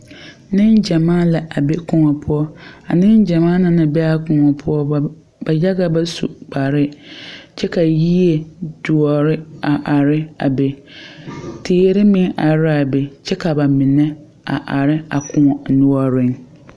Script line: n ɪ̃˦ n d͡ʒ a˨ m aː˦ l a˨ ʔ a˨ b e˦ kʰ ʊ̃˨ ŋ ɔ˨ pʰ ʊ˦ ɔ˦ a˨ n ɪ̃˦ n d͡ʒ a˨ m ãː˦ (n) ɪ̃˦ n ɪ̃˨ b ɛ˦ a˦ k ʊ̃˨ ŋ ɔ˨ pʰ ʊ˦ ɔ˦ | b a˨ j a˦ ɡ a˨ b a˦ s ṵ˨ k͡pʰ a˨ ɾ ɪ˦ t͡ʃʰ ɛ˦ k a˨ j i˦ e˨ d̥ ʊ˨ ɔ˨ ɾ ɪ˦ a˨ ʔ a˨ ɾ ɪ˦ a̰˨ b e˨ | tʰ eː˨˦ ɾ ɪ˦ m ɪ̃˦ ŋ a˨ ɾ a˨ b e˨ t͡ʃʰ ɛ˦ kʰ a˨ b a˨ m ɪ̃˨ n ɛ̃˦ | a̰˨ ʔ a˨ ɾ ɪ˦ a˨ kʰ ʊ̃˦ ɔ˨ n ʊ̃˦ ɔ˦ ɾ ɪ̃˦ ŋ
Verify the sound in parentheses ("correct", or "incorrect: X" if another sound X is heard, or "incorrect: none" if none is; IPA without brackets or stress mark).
correct